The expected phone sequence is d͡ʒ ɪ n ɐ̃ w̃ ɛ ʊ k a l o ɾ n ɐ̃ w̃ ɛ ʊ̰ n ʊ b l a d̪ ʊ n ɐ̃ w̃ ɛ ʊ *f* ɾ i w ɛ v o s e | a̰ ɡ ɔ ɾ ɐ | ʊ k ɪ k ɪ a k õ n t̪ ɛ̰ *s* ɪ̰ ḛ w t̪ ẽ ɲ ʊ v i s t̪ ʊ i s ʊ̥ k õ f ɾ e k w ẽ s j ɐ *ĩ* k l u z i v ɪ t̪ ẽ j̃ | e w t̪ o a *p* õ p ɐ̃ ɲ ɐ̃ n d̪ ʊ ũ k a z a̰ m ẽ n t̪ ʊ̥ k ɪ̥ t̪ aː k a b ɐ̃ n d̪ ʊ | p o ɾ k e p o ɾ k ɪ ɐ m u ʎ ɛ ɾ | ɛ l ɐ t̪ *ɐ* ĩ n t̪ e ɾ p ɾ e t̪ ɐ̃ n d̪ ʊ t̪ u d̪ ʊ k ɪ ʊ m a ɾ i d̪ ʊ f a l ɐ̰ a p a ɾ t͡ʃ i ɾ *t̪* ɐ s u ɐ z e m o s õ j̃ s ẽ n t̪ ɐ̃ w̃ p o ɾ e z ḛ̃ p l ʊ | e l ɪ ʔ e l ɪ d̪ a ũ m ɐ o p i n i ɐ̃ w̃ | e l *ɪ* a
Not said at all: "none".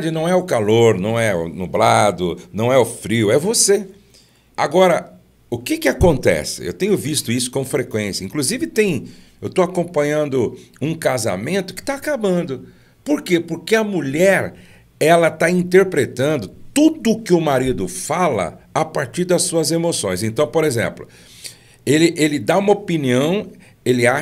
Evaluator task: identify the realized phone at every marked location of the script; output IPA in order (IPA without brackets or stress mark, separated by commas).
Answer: f, s, ĩ, k, a, d̪, ɪ